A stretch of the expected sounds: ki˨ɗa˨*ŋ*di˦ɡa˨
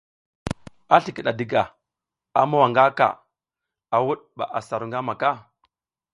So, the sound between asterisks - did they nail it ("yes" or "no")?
no